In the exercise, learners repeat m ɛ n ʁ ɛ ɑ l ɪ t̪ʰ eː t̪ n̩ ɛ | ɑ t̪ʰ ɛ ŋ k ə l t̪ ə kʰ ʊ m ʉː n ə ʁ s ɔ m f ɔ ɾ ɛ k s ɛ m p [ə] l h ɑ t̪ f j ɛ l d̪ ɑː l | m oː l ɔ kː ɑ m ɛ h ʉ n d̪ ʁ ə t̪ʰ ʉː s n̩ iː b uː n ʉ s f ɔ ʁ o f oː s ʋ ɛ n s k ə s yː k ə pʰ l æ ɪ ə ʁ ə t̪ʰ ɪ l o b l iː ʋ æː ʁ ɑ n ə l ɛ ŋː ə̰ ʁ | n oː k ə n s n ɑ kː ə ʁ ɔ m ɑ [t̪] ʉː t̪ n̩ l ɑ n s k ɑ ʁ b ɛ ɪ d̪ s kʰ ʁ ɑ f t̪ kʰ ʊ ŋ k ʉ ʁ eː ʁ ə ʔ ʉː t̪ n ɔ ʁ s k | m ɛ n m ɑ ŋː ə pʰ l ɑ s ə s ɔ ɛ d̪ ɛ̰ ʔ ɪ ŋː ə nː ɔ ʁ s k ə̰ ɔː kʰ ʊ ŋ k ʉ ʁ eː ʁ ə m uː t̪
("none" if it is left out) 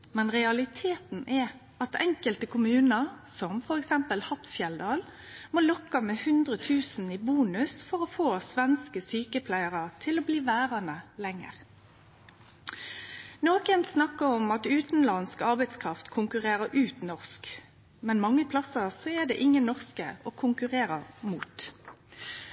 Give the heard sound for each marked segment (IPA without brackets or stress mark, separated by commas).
ə, t̪